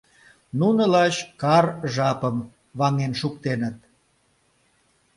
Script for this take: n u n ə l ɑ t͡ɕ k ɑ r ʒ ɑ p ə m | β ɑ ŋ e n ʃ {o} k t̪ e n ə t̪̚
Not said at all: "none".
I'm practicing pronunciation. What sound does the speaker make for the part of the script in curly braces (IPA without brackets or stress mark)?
u